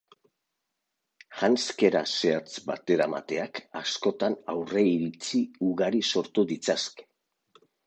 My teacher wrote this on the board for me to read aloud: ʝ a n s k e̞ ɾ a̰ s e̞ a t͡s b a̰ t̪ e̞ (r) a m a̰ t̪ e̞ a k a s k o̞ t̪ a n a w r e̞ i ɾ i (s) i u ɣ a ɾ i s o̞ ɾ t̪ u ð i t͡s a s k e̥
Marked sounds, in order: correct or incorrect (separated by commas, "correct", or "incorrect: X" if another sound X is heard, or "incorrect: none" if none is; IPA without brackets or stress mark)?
incorrect: ɾ, incorrect: t͡s